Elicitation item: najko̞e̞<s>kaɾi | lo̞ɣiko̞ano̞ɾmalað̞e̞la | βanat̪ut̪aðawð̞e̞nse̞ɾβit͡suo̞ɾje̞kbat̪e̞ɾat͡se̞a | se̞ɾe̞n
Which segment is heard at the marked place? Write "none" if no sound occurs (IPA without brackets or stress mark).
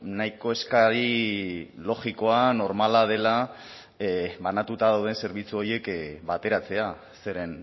s